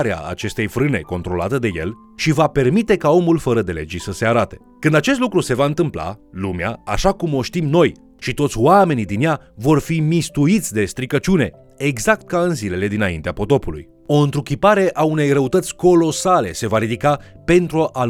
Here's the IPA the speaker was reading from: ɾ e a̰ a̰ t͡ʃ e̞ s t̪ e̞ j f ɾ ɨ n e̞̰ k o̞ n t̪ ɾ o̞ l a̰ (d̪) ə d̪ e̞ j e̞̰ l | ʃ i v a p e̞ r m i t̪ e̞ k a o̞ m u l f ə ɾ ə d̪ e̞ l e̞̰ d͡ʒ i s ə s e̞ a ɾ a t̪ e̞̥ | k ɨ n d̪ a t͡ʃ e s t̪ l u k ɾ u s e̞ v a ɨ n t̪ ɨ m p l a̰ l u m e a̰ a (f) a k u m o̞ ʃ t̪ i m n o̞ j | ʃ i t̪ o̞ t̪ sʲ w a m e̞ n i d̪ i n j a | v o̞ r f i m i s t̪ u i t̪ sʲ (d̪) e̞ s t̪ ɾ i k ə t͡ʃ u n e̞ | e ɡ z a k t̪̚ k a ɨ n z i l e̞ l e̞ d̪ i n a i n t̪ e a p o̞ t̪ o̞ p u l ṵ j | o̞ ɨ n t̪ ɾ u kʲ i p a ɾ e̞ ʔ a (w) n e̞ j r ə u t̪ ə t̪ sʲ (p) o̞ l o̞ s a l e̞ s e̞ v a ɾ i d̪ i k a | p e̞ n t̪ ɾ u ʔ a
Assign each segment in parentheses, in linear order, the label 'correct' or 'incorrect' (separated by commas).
incorrect, incorrect, correct, incorrect, incorrect